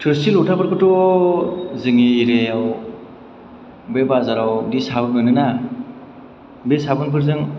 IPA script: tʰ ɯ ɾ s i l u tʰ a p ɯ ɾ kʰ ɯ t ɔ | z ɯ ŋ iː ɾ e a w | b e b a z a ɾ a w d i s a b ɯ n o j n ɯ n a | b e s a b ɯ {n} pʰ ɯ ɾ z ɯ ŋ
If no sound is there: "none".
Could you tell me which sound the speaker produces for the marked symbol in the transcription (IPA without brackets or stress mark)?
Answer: n